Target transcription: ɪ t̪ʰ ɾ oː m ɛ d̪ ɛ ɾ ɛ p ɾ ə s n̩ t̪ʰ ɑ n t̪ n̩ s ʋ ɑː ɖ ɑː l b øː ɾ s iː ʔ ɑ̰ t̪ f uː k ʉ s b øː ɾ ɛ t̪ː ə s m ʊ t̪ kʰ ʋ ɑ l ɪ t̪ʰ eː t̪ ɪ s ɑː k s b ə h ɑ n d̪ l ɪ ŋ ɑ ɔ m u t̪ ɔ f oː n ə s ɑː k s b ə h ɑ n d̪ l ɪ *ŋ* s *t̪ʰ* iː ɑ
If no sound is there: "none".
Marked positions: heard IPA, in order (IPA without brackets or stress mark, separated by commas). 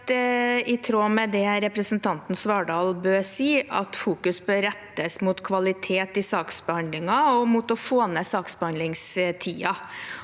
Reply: ŋ, t̪ʰ